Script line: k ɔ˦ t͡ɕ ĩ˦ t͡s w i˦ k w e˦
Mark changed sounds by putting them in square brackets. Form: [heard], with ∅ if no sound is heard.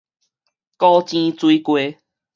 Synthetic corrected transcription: k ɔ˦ t͡ɕ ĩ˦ t͡s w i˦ k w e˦